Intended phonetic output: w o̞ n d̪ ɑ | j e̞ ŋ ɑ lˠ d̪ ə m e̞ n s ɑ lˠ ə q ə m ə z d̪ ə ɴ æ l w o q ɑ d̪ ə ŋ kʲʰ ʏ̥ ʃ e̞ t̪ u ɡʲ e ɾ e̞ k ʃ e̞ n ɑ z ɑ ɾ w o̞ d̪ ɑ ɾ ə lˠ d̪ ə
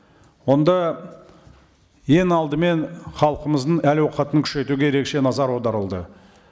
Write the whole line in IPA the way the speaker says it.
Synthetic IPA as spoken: w o̞ n d̪ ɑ | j e̞ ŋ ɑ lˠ d̪ ə m e̞ n χ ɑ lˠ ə q ə m ə z d̪ ə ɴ æ l w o q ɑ t̪ ə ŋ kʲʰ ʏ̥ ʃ e̞ t̪ u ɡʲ e ɾ e̞ k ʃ e̞ n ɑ z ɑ ɾ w o̞ d̪ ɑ ɾ ə lˠ d̪ ə